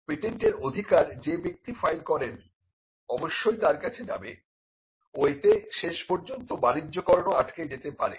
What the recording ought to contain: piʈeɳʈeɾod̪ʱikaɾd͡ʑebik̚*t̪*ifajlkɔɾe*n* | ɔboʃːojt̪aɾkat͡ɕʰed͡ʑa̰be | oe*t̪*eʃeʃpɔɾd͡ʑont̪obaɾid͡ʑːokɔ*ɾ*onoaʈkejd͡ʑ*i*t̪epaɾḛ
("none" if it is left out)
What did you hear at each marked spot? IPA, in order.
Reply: t̪, n, t̪, ɾ, e

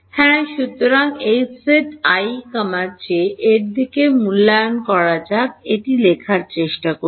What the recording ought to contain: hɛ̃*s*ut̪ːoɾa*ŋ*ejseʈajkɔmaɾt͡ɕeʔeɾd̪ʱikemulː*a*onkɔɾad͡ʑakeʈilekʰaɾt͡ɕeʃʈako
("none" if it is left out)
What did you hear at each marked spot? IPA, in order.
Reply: ʃ, ŋ, a

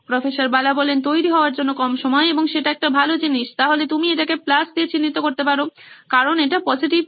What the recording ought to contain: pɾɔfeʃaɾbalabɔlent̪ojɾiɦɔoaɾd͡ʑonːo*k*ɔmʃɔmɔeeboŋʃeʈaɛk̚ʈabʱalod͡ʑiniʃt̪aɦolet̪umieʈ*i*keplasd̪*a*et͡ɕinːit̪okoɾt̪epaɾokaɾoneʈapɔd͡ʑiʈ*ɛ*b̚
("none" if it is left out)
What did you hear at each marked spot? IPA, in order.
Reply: k, a, i, i

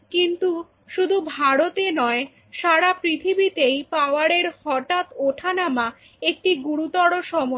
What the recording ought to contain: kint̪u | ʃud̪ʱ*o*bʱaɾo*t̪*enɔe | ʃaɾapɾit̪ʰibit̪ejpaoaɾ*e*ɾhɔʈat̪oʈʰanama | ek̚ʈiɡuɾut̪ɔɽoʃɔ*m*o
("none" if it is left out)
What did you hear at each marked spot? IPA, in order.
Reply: u, t̪, e, m

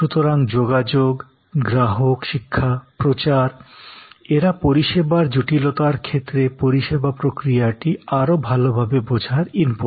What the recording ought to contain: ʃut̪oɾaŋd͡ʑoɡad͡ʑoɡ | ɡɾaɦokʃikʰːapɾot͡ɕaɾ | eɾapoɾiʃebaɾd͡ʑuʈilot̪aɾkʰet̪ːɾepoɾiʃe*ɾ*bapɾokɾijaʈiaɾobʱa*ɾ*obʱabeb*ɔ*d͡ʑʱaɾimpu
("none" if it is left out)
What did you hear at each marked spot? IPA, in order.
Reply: none, l, o

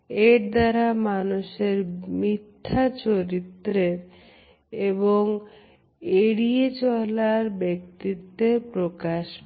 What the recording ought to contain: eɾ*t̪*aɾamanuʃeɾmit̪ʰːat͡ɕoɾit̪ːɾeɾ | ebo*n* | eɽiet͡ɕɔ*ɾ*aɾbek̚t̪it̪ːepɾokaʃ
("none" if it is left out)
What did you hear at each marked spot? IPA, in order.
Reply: d̪, ŋ, l

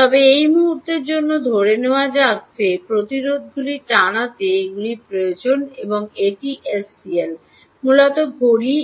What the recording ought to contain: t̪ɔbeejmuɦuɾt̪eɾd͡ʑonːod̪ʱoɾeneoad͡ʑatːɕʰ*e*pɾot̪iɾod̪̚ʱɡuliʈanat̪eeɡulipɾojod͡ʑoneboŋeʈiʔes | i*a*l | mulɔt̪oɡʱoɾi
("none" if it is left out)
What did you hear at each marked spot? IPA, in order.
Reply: e, e

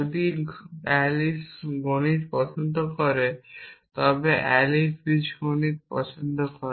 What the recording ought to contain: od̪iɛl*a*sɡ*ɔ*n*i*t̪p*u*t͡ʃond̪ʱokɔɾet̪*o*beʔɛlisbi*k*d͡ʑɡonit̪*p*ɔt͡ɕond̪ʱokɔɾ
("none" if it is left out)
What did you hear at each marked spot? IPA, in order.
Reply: i, o, i, ɔ, ɔ, none, p

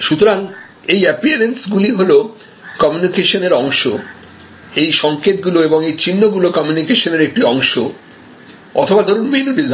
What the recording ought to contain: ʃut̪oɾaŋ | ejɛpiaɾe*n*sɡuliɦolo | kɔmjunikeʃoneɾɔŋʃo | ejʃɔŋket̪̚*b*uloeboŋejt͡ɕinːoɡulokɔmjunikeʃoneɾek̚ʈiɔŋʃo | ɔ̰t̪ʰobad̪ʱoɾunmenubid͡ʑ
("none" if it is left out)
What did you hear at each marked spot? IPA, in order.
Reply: n, ɡ

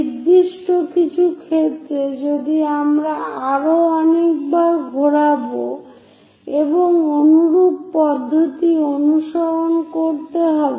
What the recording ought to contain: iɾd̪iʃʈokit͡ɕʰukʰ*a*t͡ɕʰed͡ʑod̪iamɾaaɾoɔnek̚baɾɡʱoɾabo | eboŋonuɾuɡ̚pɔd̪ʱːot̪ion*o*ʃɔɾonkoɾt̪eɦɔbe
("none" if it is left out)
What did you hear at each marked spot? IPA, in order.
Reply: e, u

